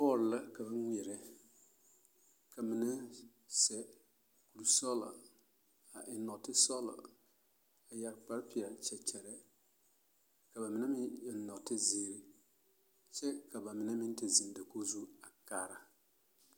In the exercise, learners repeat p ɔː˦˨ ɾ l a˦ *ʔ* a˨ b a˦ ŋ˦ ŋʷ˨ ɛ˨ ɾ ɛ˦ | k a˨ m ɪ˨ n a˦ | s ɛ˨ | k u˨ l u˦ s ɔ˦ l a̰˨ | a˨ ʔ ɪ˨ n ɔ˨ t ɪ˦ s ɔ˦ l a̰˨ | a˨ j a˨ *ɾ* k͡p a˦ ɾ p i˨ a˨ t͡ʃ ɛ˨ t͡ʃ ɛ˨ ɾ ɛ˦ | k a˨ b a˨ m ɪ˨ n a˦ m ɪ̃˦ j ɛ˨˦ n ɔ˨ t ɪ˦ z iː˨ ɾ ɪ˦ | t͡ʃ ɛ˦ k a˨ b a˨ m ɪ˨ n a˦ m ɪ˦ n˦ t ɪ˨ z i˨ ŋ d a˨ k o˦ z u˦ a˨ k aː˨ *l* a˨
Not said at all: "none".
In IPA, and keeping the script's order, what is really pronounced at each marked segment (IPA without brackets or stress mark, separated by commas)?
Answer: k, ɾ, ɾ